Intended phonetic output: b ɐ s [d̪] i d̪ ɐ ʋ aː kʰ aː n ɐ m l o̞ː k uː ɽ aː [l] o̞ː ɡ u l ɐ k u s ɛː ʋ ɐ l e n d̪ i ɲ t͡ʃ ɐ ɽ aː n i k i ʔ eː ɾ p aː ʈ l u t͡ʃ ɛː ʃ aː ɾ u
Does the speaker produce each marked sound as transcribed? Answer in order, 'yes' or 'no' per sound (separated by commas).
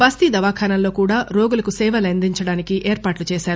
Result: no, no